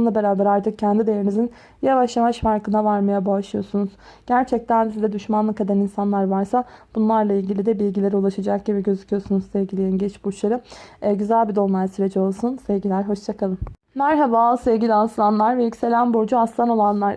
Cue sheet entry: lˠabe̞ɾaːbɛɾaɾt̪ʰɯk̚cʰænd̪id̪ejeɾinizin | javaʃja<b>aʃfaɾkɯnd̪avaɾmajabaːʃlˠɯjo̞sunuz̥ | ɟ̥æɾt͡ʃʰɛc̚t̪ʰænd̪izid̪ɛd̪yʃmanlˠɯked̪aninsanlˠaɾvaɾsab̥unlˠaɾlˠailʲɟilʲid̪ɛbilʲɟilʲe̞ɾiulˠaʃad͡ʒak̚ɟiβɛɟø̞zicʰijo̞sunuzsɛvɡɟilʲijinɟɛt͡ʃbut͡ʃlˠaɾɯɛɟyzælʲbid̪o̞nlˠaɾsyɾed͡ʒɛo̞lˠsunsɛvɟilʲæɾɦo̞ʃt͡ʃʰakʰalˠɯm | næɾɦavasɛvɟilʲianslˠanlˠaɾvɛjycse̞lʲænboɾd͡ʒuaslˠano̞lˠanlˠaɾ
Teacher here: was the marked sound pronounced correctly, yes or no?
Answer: no